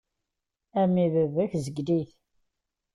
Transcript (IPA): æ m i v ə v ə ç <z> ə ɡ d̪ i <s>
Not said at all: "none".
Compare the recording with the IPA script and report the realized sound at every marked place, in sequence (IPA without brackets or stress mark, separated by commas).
z, θ